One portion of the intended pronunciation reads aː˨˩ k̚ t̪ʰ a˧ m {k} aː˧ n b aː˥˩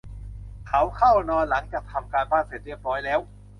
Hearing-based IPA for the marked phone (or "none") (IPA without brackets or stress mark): k